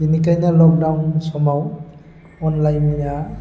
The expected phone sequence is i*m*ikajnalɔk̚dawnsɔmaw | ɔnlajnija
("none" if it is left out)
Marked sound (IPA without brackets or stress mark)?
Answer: n